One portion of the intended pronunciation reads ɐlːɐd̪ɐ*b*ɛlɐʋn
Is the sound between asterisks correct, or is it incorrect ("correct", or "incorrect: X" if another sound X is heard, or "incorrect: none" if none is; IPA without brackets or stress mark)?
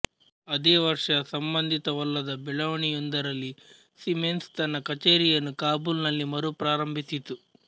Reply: correct